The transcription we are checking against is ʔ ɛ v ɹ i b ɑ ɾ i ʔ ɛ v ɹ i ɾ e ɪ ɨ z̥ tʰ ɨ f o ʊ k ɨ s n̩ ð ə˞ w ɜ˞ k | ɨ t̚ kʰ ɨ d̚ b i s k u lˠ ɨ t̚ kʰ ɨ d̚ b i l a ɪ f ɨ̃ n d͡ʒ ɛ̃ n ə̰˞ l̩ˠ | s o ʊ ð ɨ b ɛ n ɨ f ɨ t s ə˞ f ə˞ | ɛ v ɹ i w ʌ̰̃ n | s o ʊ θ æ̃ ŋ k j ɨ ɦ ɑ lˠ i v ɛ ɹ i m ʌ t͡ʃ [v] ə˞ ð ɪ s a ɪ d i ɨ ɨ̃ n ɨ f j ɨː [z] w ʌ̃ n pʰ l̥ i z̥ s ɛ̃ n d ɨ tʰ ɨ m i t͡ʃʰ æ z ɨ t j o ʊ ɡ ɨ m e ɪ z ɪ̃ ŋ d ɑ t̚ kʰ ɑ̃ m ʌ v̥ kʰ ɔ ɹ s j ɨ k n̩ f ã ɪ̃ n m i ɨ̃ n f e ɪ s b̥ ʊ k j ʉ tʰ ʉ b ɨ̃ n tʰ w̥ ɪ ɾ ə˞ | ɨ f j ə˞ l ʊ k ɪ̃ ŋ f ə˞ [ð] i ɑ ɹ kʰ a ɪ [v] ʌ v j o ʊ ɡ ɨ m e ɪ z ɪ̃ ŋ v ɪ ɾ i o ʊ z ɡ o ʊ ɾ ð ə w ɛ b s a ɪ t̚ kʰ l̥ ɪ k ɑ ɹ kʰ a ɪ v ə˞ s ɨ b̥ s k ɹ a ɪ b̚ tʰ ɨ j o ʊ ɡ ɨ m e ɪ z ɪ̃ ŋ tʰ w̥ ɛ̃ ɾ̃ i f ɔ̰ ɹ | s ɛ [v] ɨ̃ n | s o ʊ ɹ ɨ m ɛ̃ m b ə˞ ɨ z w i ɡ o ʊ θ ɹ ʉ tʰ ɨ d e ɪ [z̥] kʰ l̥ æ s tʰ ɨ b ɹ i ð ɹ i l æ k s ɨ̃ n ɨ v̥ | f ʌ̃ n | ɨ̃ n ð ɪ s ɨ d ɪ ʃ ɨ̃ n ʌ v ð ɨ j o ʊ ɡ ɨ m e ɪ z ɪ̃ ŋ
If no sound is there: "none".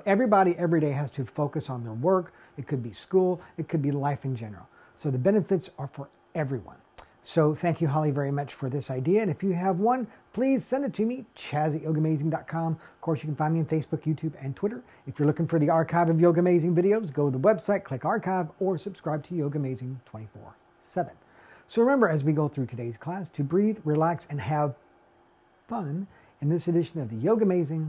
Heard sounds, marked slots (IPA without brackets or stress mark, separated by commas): f, v, ð, v, v, z̥